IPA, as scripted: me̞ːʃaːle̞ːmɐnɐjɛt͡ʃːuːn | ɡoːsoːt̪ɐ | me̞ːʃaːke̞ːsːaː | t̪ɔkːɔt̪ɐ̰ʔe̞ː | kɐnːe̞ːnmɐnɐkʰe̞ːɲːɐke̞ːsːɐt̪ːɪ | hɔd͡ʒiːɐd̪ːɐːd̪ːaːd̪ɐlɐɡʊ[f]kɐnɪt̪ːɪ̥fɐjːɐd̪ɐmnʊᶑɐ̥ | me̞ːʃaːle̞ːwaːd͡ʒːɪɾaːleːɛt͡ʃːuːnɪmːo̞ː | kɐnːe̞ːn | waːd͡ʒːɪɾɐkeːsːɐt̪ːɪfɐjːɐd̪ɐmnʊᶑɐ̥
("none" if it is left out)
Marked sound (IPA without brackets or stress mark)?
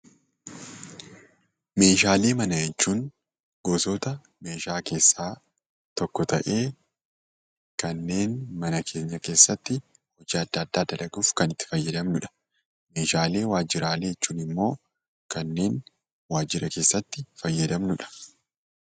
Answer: f